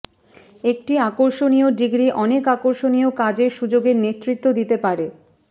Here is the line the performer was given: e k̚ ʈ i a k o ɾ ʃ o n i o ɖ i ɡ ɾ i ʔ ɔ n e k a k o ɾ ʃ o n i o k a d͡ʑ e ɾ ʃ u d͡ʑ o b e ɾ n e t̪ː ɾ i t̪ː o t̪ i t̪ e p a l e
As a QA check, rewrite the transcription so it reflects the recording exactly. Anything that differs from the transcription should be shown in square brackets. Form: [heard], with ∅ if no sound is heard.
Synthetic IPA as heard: e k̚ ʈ i a k o ɾ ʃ o n i o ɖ i ɡ ɾ i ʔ ɔ n e k a k o ɾ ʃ o n i o k a d͡ʑ e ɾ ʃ u d͡ʑ o [ɡ] e ɾ n e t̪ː ɾ i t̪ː o [d̪] i t̪ e p a [ɾ] e